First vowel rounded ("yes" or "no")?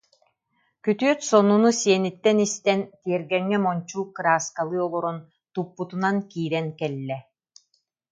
yes